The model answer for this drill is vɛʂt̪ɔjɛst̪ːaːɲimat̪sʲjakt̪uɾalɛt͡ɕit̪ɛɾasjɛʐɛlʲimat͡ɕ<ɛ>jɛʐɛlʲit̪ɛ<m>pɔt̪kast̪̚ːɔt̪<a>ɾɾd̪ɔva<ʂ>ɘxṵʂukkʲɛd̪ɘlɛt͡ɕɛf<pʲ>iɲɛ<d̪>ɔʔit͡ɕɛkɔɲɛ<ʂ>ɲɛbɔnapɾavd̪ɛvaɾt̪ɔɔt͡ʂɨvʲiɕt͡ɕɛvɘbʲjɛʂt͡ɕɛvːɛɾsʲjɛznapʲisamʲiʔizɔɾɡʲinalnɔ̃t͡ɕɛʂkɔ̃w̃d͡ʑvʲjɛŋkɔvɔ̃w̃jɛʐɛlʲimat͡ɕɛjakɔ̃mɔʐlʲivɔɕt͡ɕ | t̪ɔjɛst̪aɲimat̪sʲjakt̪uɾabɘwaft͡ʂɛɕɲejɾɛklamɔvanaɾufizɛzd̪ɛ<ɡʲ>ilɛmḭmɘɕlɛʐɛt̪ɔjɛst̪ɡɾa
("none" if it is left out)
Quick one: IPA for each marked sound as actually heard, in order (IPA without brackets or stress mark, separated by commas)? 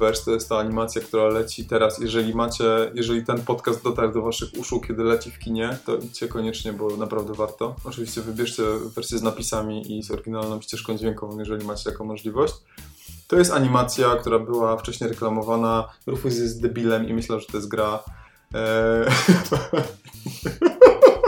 ɛ, n, a, ʂ, kʲ, t̪, t͡ʂ, bʲ